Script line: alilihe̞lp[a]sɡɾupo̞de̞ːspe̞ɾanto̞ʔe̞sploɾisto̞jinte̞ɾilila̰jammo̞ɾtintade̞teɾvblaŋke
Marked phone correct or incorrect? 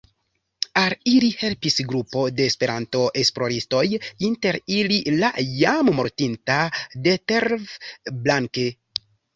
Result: incorrect